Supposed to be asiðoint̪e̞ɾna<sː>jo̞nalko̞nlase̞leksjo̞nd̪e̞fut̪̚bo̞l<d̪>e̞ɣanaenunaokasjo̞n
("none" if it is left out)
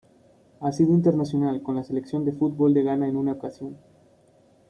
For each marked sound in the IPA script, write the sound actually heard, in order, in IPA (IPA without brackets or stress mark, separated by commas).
s, d̪